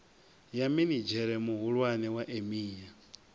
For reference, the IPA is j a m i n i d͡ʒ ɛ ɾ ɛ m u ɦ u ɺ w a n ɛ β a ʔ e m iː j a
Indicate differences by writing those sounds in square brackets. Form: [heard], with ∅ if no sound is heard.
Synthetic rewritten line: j a m i n i d͡ʒ ɛ ɾ ɛ m u ɦ u ɺ w a n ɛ [w] a ʔ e m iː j a